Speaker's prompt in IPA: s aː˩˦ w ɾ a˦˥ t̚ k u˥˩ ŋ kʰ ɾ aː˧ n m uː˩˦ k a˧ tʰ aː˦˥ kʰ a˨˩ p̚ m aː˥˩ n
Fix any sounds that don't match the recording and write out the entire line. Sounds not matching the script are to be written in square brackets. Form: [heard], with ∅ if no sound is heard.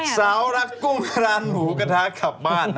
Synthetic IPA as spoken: s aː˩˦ w ɾ a˦˥ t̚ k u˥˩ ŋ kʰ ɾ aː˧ n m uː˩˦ k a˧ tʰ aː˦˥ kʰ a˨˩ p̚ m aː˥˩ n